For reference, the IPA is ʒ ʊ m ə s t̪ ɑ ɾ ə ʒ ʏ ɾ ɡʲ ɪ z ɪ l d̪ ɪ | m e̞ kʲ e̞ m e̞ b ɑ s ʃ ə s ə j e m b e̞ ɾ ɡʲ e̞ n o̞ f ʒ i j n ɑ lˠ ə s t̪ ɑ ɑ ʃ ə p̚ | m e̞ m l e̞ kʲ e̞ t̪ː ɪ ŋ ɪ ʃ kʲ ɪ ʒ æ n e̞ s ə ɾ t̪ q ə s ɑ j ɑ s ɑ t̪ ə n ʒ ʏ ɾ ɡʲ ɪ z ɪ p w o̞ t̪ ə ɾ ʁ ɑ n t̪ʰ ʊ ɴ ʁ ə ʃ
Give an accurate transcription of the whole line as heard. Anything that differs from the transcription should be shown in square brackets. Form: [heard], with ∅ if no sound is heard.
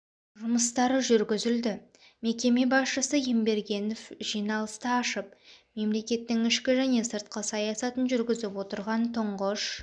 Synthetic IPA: ʒ ʊ m ə s t̪ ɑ ɾ ə ʒ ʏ ɾ ɡʲ ɪ z ɪ l d̪ ɪ | m e̞ kʲ e̞ m e̞ b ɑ s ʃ ə s ə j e m b e̞ ɾ ɡʲ e̞ n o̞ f ʒ i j n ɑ lˠ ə s t̪ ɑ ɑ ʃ ə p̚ | m e̞ m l e̞ kʲ e̞ t̪ː ɪ ŋ ɪ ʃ kʲ ɪ ʒ æ n e̞ s ə ɾ t̪ q ə s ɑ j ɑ s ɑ t̪ ə n ʒ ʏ ɾ ɡʲ ɪ z ɪ p w o̞ t̪ ə ɾ ʁ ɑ n t̪ʰ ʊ ɴ ʁ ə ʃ

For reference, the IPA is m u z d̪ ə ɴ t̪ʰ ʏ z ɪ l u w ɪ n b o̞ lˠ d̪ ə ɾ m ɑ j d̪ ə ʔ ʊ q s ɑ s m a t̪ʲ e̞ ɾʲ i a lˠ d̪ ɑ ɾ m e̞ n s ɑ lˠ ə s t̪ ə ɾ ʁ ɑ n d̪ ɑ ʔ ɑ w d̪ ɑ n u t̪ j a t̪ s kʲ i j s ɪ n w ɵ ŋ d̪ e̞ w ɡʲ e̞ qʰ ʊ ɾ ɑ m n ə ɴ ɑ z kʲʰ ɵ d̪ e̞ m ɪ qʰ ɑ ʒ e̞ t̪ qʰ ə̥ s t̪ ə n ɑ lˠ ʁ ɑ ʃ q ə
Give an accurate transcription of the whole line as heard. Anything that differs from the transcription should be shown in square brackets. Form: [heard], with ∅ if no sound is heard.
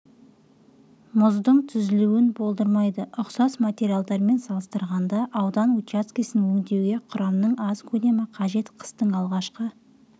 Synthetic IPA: m [ʊ] z d̪ ə ɴ t̪ʰ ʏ z ɪ l u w ɪ n b o̞ lˠ d̪ ə ɾ m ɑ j d̪ ə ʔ ʊ q s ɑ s m a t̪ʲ e̞ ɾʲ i a lˠ d̪ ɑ ɾ m e̞ n s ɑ lˠ ə s t̪ ə ɾ ʁ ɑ n d̪ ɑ ʔ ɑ w d̪ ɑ n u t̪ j a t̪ s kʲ i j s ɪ n w ɵ ŋ d̪ e̞ w ɡʲ e̞ qʰ ʊ ɾ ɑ m n ə ɴ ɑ z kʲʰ ɵ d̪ e̞ m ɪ qʰ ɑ ʒ e̞ t̪ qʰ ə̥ s t̪ ə [ɴ] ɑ lˠ ʁ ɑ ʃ q ə

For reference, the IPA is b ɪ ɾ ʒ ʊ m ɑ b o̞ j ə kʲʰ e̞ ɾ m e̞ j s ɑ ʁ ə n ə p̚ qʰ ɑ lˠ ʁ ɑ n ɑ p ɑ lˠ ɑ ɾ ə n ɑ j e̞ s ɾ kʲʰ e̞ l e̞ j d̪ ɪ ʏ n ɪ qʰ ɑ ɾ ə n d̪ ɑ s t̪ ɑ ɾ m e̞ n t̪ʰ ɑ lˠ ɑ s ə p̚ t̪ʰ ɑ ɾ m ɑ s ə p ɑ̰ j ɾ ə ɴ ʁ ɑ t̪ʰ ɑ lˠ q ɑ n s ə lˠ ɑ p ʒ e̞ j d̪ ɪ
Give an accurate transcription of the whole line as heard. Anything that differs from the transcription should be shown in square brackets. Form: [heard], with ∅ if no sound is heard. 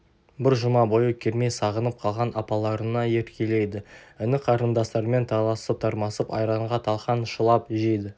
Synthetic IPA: b ɪ ɾ ʒ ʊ m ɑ b o̞ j ə kʲʰ e̞ ɾ m e̞ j s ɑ ʁ ə n ə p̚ qʰ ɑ lˠ ʁ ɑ n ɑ p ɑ lˠ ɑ ɾ ə n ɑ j e̞ [∅] ɾ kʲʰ e̞ l e̞ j d̪ ɪ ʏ n ɪ qʰ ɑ ɾ ə n d̪ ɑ s t̪ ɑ ɾ m e̞ n t̪ʰ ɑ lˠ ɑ s ə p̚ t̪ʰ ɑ ɾ m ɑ s ə p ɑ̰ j ɾ [ɑ] ɴ ʁ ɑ t̪ʰ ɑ lˠ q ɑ n [ʃ] ə lˠ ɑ p ʒ e̞ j d̪ ɪ

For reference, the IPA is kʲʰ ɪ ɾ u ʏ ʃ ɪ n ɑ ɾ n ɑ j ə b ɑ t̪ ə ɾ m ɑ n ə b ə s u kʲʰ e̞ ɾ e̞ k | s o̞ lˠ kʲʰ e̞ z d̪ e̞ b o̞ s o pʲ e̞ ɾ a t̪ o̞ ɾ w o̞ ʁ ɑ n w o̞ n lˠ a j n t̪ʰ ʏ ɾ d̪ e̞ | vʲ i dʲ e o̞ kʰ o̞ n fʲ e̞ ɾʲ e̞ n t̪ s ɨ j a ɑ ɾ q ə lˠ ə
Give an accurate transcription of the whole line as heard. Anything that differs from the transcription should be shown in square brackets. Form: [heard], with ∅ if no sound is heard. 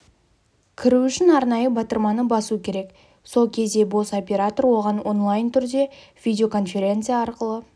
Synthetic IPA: kʲʰ ɪ ɾ u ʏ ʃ ɪ n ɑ ɾ n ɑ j ə b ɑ t̪ ə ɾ m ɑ n ə b [ɑ] s u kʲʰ e̞ ɾ e̞ k | s o̞ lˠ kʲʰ e̞ z d̪ e̞ b o̞ s o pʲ e̞ ɾ a t̪ o̞ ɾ w o̞ ʁ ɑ n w o̞ n lˠ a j n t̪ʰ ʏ ɾ d̪ e̞ | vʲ i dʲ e o̞ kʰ o̞ n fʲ e̞ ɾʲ e̞ n t̪ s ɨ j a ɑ ɾ q ə lˠ ə

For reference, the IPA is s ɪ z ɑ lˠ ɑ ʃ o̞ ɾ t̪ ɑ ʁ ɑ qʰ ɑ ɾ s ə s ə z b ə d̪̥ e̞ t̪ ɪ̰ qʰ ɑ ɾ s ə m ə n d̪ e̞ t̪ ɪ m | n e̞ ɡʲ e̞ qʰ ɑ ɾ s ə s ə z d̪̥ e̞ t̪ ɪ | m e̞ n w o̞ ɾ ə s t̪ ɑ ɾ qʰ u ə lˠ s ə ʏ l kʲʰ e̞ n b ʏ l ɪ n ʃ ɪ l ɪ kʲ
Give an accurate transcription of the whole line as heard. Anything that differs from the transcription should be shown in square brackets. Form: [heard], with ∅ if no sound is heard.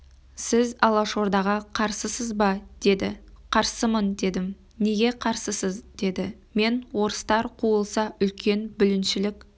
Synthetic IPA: s ɪ z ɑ lˠ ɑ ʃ o̞ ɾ [d̪] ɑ ʁ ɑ qʰ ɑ ɾ s ə s ə z b [ɑ] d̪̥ e̞ [d̪] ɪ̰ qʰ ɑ ɾ s ə m ə n d̪ e̞ [d̪] ɪ m | n e̞ ɡʲ e̞ qʰ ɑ ɾ s ə s ə z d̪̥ e̞ [d̪] ɪ | m e̞ n w o̞ ɾ ə s t̪ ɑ ɾ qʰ u ə lˠ s [ɑ] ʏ l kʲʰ e̞ n b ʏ l ɪ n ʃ ɪ l ɪ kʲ

